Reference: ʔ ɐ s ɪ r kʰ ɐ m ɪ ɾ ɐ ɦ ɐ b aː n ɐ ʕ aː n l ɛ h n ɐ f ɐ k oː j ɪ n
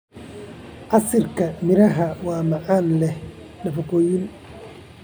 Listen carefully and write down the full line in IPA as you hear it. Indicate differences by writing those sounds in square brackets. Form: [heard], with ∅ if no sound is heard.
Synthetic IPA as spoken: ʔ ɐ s ɪ r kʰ ɐ m ɪ ɾ ɐ ɦ ɐ [w] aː [m] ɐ ʕ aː n l ɛ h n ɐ f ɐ k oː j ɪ n